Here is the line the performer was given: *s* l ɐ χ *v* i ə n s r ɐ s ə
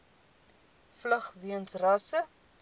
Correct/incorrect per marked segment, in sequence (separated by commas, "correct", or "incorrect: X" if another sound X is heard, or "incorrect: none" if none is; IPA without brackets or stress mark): incorrect: f, correct